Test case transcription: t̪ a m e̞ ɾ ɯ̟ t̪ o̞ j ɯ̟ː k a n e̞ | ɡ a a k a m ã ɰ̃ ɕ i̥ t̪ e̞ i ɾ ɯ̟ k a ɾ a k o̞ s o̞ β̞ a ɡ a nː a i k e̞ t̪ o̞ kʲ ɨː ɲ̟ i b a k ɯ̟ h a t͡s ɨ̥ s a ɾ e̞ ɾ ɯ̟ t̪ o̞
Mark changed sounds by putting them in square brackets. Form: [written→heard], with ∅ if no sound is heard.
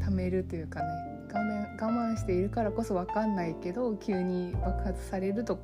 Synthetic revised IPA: t̪ a m e̞ ɾ ɯ̟ t̪ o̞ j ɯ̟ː k a n e̞ | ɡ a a [k→ɡ] a m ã ɰ̃ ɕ i̥ t̪ e̞ i ɾ ɯ̟ k a ɾ a k o̞ s o̞ β̞ a [ɡ→k] a nː a i k e̞ [t̪→d̪] o̞ kʲ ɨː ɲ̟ i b a k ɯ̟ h a t͡s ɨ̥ s a ɾ e̞ ɾ ɯ̟ t̪ o̞